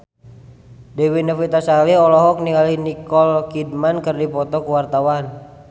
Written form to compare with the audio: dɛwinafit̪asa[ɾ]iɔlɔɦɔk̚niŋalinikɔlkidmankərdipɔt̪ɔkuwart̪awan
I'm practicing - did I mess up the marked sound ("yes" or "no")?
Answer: yes